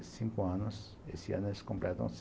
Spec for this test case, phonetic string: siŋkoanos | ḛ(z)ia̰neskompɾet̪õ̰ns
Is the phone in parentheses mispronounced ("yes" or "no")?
yes